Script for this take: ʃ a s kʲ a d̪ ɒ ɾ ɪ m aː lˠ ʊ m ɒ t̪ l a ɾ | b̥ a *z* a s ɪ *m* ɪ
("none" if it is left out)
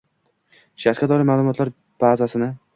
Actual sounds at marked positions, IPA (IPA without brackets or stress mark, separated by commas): z, n